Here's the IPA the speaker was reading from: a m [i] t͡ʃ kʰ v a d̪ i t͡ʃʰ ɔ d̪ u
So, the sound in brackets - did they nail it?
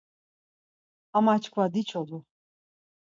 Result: no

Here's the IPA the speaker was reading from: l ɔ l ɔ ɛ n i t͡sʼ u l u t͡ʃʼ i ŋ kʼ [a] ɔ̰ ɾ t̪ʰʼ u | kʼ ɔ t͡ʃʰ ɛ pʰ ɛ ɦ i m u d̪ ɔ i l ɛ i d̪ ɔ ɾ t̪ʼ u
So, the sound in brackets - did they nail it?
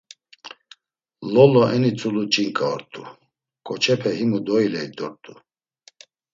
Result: yes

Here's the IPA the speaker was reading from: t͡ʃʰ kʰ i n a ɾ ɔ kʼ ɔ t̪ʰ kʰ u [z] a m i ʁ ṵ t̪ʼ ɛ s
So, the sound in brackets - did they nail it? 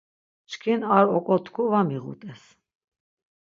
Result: no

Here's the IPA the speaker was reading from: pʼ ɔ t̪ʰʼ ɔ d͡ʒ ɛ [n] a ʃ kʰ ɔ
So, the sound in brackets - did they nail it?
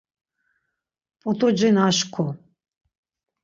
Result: yes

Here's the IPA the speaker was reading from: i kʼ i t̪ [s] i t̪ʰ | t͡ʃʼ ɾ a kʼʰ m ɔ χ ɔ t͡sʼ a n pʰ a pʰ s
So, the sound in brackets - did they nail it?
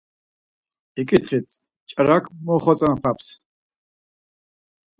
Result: no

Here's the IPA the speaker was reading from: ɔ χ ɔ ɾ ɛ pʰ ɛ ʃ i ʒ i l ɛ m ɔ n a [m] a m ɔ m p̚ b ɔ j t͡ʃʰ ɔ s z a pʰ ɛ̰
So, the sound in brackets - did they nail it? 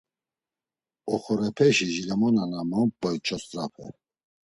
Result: no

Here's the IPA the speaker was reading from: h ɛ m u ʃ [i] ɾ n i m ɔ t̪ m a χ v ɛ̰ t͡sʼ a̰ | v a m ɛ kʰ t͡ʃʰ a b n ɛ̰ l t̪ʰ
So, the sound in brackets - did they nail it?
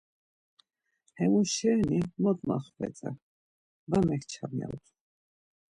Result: no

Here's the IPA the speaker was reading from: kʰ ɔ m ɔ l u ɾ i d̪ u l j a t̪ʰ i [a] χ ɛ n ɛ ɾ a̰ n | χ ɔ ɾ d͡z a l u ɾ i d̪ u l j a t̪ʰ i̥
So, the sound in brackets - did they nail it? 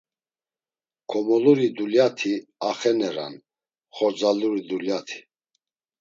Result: yes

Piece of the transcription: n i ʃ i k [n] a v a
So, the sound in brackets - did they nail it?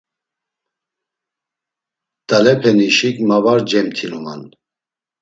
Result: no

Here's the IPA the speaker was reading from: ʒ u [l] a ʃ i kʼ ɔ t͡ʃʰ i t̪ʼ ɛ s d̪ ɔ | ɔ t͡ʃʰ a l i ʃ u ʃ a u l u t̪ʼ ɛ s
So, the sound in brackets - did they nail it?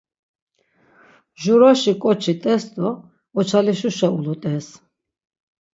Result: no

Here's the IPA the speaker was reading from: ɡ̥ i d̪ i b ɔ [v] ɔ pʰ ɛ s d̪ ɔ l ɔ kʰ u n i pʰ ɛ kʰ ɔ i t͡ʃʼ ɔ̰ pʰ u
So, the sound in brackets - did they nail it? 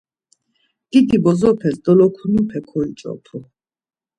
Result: no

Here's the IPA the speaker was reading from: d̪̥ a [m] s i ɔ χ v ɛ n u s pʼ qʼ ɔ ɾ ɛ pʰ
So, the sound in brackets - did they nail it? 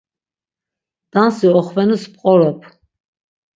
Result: no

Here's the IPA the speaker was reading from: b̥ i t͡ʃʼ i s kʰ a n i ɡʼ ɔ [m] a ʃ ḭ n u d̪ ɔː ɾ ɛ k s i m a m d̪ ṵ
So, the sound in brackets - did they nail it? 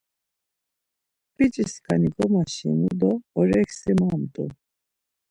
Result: yes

